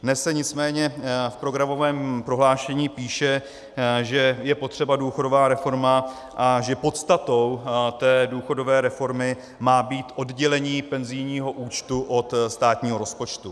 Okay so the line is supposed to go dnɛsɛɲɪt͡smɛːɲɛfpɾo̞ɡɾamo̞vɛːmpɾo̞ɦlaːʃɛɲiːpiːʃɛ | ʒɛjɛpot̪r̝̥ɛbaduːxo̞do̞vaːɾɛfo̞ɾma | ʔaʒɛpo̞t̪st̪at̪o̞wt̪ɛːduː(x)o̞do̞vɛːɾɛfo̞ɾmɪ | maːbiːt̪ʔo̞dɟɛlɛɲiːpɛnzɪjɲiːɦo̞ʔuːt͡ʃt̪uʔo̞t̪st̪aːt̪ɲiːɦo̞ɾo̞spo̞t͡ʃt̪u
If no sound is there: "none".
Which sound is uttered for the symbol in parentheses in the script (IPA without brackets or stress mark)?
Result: x